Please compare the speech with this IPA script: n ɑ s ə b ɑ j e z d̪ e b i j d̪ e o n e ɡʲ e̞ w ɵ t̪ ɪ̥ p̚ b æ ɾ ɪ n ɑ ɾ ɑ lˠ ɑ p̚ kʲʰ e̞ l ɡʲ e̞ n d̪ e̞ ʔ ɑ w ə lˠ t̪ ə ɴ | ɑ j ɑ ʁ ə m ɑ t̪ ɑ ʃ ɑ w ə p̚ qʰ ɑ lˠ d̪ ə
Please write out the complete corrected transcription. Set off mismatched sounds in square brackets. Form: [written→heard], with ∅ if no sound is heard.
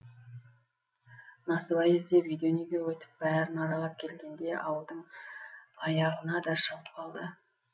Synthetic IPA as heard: n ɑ s ə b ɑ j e z d̪ e [b→v] i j d̪ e o n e ɡʲ e̞ w ɵ t̪ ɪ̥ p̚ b æ ɾ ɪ n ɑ ɾ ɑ lˠ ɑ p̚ kʲʰ e̞ l ɡʲ e̞ n d̪ e̞ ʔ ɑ w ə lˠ [t̪→d̪] ə ɴ | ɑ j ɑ ʁ ə [m→n] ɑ [t̪→d̪] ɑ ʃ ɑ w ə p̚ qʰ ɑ lˠ d̪ ə